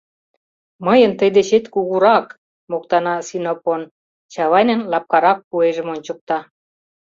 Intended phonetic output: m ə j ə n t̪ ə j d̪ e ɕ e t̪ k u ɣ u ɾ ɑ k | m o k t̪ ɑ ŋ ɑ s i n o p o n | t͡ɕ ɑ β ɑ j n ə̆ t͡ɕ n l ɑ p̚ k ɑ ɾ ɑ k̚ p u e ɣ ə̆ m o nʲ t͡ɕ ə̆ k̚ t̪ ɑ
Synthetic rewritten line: m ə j ə n t̪ ə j d̪ e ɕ e t̪ k u ɣ u ɾ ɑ k | m o k t̪ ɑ n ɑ s i n o p o n | t͡ɕ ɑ β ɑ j n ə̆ n l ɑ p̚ k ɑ ɾ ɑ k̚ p u e ʒ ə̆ m o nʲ t͡ɕ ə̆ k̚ t̪ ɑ